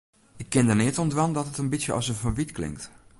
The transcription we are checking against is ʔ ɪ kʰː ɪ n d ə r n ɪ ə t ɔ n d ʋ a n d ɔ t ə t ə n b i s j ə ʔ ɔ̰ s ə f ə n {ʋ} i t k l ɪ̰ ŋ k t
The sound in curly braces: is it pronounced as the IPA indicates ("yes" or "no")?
yes